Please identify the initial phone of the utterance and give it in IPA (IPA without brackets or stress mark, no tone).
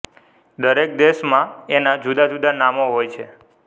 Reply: d̪